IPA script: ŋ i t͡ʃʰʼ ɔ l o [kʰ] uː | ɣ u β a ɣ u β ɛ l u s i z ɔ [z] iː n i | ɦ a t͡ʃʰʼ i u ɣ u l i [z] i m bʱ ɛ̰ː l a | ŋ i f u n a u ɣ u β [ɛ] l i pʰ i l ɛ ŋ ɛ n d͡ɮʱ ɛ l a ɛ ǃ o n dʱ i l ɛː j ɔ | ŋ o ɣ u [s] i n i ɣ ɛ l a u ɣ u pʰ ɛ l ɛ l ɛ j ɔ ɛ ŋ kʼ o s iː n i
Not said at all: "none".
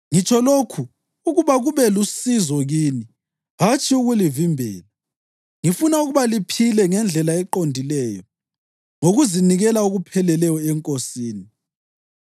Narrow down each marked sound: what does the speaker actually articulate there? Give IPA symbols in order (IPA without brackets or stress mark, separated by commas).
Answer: kʰ, ɣ, v, a, z